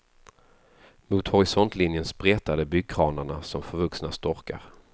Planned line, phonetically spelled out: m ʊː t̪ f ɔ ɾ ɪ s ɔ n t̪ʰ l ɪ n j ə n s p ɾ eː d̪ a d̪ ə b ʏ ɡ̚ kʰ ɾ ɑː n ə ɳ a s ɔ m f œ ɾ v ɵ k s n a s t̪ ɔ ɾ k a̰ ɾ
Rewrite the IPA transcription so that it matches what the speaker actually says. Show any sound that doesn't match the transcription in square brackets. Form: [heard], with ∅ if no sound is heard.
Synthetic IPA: m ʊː t̪ [h] ɔ ɾ ɪ s ɔ n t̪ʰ l ɪ n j ə n s p ɾ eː [t̪] a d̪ ə b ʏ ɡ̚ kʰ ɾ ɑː n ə ɳ a s ɔ m f œ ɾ v ɵ k s n a s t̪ ɔ ɾ k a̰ ɾ